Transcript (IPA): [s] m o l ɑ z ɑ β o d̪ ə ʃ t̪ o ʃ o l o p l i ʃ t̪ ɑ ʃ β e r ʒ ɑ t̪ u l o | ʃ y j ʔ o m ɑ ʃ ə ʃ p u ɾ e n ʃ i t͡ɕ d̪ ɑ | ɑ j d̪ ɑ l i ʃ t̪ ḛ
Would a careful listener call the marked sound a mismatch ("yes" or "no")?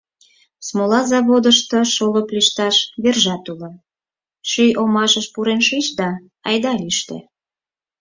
no